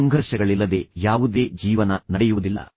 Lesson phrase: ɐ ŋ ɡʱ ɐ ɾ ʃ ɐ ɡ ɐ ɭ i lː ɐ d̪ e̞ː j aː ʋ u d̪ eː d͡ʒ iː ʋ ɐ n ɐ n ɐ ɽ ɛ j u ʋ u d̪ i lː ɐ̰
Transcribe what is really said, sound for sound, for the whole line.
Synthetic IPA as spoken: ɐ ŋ ɡʱ ɐ ɾ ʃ ɐ ɡ ɐ ɭ i lː ɐ d̪ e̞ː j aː ʋ u d̪ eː d͡ʒ iː ʋ ɐ n ɐ n ɐ ɽ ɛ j u ʋ u d̪ i lː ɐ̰